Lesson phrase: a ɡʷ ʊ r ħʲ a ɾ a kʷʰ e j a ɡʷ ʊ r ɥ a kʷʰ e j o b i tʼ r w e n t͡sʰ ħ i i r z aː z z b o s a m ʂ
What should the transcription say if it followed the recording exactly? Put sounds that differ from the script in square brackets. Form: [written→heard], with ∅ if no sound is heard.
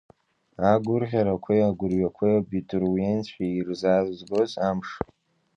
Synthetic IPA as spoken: a ɡʷ ʊ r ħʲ a ɾ a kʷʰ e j a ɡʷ ʊ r ɥ a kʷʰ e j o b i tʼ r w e n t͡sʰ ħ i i r z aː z z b o [s→z] a m ʂ